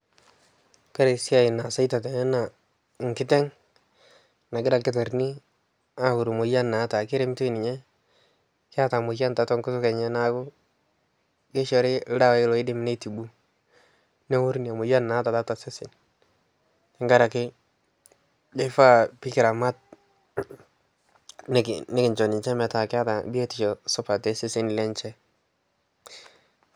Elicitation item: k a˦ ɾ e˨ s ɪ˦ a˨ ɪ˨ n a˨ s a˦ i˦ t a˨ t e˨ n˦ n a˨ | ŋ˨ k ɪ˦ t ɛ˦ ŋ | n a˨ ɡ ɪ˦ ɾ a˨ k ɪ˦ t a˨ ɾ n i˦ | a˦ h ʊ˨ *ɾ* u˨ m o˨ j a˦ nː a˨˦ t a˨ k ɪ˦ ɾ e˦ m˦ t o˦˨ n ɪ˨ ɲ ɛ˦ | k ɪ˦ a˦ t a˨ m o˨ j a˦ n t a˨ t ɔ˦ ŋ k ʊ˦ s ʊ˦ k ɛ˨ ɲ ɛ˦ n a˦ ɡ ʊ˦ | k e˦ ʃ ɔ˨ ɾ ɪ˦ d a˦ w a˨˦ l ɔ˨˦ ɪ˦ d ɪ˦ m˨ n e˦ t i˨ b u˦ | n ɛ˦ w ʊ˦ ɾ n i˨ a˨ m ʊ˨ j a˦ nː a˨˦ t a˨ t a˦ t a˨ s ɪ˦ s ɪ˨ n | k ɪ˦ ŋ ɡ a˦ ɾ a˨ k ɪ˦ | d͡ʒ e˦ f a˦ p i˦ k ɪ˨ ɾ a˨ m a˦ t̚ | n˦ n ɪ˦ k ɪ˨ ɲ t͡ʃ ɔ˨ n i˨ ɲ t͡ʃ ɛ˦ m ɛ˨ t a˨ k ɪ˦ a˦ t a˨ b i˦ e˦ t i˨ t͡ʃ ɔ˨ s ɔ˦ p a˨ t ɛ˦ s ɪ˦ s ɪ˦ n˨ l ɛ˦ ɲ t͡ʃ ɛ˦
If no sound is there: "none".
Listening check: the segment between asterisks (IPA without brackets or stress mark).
ɾ